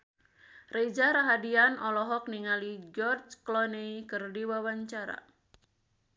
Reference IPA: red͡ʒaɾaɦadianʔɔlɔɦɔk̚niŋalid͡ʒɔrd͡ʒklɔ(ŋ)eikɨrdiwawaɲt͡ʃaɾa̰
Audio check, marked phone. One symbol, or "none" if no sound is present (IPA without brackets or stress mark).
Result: n